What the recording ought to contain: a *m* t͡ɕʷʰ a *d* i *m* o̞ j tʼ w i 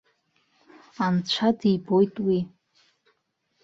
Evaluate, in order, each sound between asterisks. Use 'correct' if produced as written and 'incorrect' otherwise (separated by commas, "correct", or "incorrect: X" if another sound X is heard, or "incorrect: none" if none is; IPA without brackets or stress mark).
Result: incorrect: n, correct, incorrect: b